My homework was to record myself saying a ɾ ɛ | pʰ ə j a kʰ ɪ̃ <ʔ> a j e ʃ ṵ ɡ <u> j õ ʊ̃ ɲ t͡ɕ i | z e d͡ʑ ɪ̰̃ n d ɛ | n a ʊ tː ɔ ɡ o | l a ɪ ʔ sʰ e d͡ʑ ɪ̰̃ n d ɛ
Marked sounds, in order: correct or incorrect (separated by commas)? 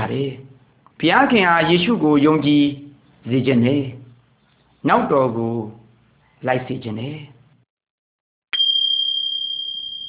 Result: correct, incorrect